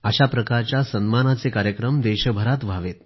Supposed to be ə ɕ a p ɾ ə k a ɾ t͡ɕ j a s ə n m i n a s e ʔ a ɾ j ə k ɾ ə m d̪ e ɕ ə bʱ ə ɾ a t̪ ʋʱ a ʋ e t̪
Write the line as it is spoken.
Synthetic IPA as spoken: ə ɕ a p ɾ ə k a ɾ t͡ɕ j a s ə n m a n a t͡s e k a ɾ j ə k ɾ ə m d̪ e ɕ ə bʱ ə ɾ a t̪ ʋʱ a ʋ e t̪